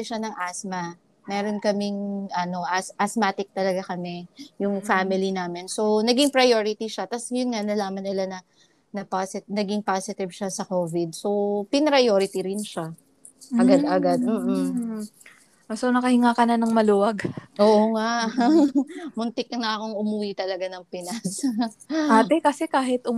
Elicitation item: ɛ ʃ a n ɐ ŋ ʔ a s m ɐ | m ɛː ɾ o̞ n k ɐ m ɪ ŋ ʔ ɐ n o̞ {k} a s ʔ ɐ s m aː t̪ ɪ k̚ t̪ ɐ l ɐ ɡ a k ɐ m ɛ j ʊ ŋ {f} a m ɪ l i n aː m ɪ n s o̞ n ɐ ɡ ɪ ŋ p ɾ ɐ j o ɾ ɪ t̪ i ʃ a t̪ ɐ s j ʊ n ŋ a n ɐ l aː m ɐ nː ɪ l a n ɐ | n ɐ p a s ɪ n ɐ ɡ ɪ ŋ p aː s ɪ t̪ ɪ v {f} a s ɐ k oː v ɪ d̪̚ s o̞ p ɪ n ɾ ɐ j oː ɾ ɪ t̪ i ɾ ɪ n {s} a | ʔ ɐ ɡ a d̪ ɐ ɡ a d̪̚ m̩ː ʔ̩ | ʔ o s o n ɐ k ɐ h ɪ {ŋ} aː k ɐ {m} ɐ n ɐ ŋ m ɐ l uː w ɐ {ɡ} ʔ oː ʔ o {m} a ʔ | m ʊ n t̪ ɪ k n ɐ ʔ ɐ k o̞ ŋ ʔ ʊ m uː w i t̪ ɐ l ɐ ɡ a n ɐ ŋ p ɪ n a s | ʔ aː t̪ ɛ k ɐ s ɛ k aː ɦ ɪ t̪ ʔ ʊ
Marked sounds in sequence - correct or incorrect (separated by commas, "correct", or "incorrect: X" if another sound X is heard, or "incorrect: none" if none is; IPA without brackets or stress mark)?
incorrect: ʔ, correct, incorrect: ʃ, incorrect: ʃ, correct, incorrect: n, correct, incorrect: ŋ